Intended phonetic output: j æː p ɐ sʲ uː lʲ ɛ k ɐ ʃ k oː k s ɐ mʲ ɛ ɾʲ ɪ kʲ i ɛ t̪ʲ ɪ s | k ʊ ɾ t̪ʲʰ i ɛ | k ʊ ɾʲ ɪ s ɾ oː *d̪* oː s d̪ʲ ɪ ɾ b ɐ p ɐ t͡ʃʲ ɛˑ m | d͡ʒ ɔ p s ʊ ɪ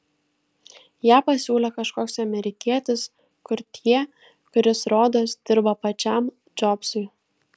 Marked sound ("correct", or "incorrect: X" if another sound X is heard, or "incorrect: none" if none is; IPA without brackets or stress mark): correct